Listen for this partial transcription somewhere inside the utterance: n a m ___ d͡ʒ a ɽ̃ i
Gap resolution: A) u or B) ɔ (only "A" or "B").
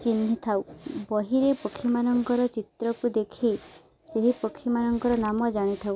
B